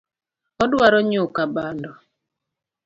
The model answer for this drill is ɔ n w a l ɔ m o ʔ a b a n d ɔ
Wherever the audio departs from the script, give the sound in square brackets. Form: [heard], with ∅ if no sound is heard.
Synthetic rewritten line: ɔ [d] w a [ɾ] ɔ [ɲ] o [k] a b a n d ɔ